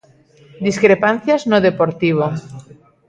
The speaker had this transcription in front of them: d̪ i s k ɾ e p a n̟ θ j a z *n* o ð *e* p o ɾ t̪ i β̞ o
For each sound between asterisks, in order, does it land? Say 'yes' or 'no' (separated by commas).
yes, yes